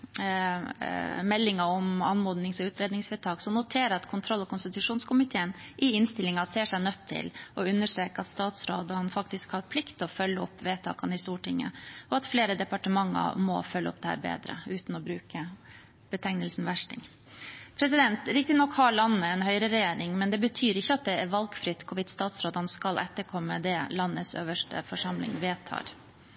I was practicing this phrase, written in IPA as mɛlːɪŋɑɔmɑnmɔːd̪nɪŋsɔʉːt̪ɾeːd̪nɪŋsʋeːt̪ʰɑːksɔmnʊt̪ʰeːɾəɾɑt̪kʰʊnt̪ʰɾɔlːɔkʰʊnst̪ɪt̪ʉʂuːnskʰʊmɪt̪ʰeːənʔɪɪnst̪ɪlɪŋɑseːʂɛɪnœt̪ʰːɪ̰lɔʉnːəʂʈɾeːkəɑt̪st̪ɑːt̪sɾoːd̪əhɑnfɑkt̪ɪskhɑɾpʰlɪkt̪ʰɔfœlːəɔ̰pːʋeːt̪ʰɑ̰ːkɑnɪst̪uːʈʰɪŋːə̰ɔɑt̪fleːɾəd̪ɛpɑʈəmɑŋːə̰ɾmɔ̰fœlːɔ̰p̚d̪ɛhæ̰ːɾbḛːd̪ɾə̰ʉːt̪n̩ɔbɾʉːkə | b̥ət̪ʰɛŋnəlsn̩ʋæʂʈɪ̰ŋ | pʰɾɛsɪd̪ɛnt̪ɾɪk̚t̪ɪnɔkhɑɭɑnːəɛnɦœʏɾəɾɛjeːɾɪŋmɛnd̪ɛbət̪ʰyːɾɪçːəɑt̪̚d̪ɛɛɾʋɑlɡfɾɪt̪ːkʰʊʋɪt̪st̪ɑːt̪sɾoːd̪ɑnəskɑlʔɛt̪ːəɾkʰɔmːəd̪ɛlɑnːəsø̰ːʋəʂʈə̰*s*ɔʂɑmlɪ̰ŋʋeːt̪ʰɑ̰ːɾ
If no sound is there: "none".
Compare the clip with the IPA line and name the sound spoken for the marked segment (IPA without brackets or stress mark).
f